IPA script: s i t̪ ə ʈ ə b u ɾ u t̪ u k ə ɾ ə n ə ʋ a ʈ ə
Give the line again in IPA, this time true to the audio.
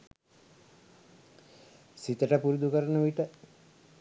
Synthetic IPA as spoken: s i t̪ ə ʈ ə p u ɾ u d̪ u k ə ɾ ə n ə ʋ i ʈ ə